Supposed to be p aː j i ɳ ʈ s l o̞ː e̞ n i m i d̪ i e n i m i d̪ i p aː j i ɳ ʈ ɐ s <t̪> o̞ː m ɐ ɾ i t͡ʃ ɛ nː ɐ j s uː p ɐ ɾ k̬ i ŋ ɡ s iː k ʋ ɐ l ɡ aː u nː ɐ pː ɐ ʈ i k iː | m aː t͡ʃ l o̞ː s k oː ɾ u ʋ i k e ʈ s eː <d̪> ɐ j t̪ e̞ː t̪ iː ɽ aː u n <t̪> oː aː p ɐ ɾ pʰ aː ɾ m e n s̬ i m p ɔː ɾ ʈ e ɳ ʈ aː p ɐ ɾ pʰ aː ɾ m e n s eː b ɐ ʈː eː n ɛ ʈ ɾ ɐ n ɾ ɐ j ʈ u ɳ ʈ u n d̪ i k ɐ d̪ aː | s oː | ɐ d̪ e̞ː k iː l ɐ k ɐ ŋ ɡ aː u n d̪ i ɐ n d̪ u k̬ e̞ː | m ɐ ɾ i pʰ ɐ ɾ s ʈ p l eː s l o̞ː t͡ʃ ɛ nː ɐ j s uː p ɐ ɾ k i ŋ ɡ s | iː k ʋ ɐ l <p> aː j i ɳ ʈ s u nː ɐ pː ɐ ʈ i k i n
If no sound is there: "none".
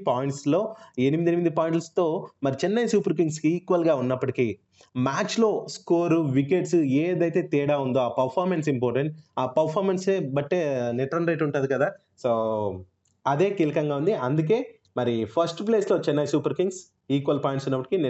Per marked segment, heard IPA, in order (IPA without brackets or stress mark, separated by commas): t̪, d̪, d̪, p